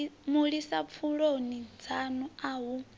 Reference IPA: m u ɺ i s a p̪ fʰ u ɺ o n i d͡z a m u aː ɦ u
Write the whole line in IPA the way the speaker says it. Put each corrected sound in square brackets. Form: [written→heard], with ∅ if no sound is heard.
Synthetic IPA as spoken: m u ɺ i s a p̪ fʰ u ɺ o n i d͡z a [m→n] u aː ɦ u